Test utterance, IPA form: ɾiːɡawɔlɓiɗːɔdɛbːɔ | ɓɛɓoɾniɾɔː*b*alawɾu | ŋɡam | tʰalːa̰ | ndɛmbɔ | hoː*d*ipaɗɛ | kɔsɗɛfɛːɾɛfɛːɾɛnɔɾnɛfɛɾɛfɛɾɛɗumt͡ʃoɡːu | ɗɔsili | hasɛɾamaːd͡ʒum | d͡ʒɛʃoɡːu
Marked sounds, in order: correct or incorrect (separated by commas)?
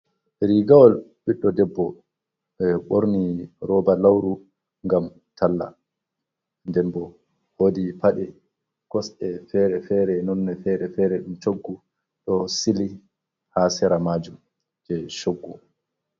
correct, correct